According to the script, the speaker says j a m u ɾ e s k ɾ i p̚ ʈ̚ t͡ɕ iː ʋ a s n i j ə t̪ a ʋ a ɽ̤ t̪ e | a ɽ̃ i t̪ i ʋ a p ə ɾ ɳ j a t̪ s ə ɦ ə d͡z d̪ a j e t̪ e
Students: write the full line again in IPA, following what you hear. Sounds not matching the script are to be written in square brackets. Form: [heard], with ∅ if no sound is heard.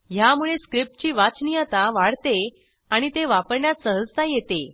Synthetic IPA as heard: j a m u [ɭ] e s k ɾ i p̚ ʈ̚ t͡ɕ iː ʋ a [t͡s] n i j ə t̪ a ʋ a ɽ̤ t̪ e | a ɽ̃ i t̪ [e] ʋ a p ə ɾ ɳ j a t̪ s ə ɦ ə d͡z [t̪] a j e t̪ e

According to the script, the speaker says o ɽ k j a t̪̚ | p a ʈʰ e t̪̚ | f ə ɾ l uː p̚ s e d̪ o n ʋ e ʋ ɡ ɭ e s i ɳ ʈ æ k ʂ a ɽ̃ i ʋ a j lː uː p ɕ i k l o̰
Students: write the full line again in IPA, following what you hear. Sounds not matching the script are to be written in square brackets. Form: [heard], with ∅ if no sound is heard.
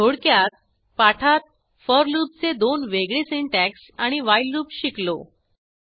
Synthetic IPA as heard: o ɽ k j a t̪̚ | p a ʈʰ [a] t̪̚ | f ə ɾ l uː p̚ [t͡s] e d̪ o n ʋ e [∅] ɡ ɭ e s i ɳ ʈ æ k [s] a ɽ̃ i ʋ a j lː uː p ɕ i k l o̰

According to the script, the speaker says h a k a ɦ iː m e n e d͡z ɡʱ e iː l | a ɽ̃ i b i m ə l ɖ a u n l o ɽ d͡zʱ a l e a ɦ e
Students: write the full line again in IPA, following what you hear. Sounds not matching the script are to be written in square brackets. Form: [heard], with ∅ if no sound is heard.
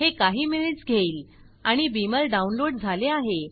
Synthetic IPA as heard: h [e] k a ɦ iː m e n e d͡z ɡʱ e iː l | a ɽ̃ i b i m ə l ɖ a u n l o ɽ d͡zʱ a l e a ɦ e

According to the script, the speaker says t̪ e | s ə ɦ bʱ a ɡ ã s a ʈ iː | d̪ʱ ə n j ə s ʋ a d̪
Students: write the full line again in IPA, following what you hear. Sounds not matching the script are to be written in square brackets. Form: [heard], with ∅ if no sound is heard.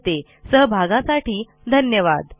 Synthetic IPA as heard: t̪ e | s ə ɦ bʱ a ɡ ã s a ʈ iː | d̪ʱ ə n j ə [∅] ʋ a d̪

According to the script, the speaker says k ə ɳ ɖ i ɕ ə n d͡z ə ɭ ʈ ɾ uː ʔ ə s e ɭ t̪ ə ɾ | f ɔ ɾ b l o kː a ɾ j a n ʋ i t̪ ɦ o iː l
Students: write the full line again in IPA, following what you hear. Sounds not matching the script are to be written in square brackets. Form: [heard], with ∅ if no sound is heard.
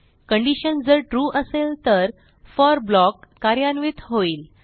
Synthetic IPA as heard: k ə ɳ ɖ i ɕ ə n d͡z ə [ɾ] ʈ ɾ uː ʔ ə s e [l] t̪ ə ɾ | f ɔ ɾ b l [ɔ] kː a ɾ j a n ʋ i t̪ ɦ o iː l

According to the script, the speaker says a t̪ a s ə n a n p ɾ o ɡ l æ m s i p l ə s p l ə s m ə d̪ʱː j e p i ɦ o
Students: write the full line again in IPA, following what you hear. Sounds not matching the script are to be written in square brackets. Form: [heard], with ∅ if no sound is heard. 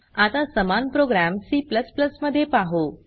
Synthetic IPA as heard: a t̪ a s ə [m] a n p ɾ o ɡ [ɾ] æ m s i p l ə s p l ə s m ə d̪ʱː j e p [a] ɦ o

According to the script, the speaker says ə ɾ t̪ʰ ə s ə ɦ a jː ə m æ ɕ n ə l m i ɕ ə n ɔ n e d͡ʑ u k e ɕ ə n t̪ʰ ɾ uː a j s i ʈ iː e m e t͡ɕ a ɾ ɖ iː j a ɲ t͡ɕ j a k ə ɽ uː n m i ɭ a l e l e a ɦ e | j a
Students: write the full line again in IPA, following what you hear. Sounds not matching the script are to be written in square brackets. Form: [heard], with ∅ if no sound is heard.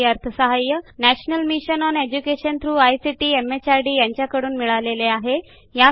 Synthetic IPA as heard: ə ɾ t̪ʰ ə s ə ɦ a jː ə [n] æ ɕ n ə l m i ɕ ə n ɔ n e d͡ʑ u k e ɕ ə n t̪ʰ ɾ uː a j s i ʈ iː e m e t͡ɕ a ɾ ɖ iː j a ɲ t͡ɕ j a k ə ɽ uː n m i ɭ a l e l e a ɦ e | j a

